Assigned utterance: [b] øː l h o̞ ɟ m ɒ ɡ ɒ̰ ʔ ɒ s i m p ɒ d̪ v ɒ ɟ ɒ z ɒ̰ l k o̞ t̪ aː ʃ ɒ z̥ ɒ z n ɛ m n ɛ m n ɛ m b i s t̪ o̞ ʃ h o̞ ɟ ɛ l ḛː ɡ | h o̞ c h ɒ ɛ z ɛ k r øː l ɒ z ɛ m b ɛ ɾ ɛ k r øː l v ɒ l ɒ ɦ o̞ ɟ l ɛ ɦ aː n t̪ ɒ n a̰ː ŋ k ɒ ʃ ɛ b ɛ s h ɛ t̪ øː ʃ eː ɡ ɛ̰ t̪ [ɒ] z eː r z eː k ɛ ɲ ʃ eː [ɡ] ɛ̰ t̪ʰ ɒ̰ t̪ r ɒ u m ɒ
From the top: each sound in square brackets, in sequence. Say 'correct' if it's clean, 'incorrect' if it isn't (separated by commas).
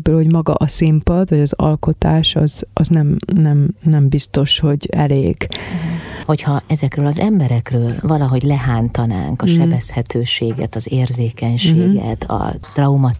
correct, correct, correct